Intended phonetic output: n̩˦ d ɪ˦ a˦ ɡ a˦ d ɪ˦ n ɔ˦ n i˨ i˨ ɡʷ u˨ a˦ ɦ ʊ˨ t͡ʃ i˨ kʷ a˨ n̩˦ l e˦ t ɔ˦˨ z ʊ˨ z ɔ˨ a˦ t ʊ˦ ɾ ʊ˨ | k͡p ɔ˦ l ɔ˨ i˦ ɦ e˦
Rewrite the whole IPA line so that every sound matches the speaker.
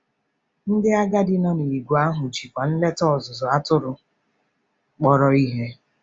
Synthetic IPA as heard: n̩˦ d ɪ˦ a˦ ɡ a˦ d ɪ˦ n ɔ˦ n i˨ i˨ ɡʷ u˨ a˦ ɦ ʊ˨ t͡ʃ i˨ kʷ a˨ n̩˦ l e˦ t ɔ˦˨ z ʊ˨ z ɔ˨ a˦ t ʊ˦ ɾ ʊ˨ | k͡p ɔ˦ ɾ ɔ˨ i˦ ɦ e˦